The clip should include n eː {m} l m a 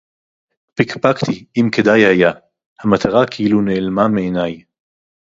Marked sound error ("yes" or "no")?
yes